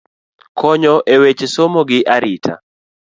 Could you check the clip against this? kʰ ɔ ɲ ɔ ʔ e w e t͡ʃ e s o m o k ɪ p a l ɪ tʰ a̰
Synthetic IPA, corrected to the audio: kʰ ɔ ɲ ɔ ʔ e w e t͡ʃ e s o m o ɡ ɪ ʔ a ɾ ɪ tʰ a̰